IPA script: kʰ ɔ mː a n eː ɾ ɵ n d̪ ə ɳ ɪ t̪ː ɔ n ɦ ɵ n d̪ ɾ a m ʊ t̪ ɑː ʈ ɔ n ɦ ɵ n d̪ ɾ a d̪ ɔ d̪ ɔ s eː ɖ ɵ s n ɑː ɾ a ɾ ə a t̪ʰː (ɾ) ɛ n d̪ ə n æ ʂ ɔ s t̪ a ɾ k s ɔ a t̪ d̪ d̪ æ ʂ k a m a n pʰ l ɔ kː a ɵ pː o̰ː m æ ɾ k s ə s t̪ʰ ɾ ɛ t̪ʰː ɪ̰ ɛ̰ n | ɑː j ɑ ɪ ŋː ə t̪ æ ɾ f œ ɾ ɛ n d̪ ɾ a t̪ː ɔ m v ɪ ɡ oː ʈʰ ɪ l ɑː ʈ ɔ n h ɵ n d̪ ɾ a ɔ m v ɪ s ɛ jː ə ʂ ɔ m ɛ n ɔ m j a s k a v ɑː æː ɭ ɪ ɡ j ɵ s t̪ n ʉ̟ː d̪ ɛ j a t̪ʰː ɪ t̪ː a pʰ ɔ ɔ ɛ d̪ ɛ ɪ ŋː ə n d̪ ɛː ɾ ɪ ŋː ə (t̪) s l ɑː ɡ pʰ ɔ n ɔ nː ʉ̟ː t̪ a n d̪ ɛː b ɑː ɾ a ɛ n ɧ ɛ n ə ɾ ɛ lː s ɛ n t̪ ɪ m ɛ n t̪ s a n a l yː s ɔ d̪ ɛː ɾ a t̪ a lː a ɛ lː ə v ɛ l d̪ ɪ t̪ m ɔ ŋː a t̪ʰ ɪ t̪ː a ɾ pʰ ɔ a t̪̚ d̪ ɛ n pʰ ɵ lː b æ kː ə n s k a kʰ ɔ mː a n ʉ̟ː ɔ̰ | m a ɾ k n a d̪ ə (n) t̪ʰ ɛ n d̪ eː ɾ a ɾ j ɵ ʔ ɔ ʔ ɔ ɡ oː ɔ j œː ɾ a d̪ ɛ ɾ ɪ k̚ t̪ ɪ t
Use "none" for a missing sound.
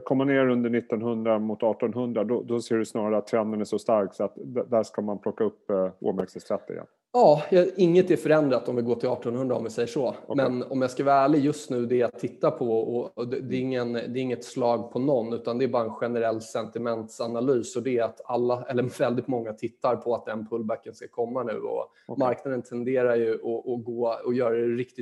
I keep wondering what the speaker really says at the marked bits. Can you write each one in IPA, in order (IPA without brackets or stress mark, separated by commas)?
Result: ɾ, t̪, n